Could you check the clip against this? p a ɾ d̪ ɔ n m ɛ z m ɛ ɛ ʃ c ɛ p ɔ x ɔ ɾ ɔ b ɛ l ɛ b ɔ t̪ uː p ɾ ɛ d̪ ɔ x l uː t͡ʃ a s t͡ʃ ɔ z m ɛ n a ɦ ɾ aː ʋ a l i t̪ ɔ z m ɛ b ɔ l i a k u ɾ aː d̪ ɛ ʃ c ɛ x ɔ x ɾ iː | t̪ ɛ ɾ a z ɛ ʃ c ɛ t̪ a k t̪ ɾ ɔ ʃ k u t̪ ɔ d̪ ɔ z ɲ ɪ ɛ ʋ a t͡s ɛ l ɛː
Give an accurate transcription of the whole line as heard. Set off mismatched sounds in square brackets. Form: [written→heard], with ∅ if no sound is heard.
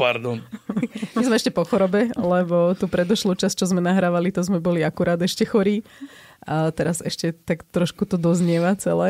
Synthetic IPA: p a ɾ d̪ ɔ n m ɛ z m ɛ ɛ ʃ c ɛ p ɔ x ɔ ɾ ɔ b ɛ l ɛ b ɔ t̪ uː p ɾ ɛ d̪ ɔ [x→ʃ] l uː t͡ʃ a s t͡ʃ ɔ z m ɛ n a ɦ ɾ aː ʋ a l i t̪ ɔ z m ɛ b ɔ l i a k u ɾ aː d̪ ɛ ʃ c ɛ x ɔ [x→∅] ɾ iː | t̪ ɛ ɾ a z ɛ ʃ c ɛ t̪ a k t̪ ɾ ɔ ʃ k u t̪ ɔ d̪ ɔ z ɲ ɪ ɛ ʋ a t͡s ɛ l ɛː